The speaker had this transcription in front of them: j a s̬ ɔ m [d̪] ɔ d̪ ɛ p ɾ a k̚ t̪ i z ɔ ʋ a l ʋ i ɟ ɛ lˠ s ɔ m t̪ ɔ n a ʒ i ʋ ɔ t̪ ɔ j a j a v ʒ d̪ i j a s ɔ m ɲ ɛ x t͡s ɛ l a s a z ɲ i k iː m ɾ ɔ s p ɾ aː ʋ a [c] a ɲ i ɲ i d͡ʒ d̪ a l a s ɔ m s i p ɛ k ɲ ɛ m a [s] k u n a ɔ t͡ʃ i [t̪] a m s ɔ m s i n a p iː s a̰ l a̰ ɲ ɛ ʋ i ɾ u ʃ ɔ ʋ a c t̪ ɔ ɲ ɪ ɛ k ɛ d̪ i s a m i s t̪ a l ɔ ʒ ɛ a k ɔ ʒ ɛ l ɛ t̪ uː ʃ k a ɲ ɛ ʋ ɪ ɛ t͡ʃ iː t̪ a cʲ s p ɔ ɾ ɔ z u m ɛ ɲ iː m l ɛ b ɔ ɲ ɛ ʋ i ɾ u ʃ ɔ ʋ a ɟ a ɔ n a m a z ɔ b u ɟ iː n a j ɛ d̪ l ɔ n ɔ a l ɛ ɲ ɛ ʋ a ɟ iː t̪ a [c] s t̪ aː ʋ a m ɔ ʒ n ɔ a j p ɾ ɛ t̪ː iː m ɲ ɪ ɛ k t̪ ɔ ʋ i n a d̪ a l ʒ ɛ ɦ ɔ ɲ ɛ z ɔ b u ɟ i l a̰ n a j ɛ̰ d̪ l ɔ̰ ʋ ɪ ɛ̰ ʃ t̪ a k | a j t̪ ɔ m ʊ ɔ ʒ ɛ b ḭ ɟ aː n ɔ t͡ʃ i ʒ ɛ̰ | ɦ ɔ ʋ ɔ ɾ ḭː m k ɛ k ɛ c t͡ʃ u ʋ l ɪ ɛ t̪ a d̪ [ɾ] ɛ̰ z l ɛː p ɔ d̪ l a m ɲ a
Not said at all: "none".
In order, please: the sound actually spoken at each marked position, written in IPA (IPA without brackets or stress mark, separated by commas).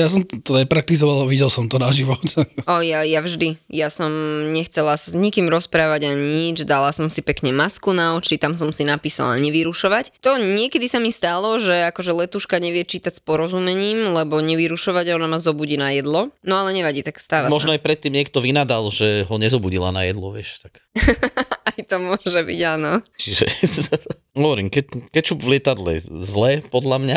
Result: t̪, ɟ, s, t̪, k, l